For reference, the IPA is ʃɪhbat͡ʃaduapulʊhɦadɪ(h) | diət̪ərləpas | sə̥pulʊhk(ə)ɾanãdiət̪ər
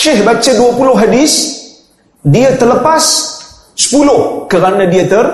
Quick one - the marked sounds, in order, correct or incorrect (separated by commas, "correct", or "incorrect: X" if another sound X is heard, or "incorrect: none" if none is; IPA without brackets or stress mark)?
incorrect: s, correct